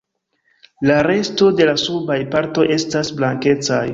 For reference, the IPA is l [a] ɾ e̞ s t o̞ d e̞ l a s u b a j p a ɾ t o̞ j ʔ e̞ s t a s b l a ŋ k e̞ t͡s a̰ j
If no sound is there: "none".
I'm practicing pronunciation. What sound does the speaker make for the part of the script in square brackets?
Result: a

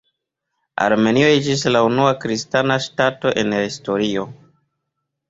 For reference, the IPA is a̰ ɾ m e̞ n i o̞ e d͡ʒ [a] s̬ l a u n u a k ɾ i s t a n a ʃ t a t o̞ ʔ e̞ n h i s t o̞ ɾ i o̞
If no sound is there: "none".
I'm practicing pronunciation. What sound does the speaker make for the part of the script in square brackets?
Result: i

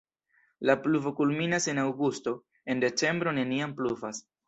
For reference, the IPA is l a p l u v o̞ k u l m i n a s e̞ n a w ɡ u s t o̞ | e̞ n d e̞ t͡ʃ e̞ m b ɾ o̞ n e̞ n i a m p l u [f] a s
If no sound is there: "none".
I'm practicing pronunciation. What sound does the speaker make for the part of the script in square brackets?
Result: v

